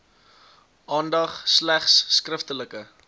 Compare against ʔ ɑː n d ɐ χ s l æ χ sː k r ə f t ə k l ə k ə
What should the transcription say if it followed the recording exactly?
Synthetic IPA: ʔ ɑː n d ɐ χ s l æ χ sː k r ə f t ə l ə k ə